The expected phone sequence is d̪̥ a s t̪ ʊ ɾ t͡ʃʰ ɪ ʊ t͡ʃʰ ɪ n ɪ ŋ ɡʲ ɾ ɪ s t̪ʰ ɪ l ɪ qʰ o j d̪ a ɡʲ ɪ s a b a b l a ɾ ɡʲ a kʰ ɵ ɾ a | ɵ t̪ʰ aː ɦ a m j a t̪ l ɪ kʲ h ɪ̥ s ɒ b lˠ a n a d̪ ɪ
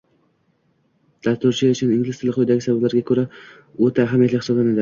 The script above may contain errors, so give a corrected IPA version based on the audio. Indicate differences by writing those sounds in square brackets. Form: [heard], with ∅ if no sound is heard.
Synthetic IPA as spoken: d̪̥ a s t̪ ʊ ɾ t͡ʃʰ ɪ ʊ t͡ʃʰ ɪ n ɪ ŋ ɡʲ [l] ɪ s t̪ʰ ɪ l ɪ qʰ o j d̪ a ɡʲ ɪ s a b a b l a ɾ ɡʲ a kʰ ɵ ɾ a | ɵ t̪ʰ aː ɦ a m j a t̪ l ɪ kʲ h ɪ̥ s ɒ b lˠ a n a d̪ ɪ